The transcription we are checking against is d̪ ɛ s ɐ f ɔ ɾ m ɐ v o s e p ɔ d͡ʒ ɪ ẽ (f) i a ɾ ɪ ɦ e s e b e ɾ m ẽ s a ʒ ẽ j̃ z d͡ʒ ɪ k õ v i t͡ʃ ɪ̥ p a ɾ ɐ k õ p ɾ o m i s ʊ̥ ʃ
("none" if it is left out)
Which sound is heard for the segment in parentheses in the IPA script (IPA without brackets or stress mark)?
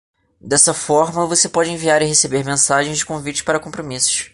v